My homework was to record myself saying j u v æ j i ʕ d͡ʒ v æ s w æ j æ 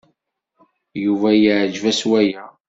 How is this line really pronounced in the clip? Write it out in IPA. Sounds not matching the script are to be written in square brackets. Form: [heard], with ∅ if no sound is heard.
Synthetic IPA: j u v æ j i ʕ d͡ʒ v æ s w æ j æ